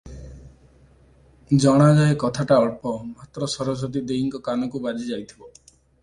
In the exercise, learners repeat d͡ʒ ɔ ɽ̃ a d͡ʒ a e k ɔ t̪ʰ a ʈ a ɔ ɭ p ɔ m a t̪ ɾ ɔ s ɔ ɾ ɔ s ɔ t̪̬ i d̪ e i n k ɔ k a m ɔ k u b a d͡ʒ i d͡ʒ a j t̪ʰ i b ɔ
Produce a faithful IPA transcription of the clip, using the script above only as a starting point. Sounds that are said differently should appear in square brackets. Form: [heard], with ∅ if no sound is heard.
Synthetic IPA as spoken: d͡ʒ ɔ ɽ̃ a d͡ʒ a e k ɔ t̪ʰ a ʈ a ɔ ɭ p ɔ m a t̪ ɾ ɔ s ɔ ɾ ɔ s ɔ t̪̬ i d̪ e i [ŋ] k ɔ k a [n] ɔ k u b a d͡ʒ i d͡ʒ a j t̪ʰ i b ɔ